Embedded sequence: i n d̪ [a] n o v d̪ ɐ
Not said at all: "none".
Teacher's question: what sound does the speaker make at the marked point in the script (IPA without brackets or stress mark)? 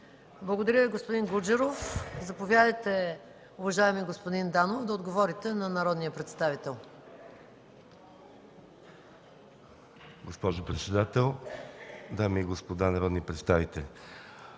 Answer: a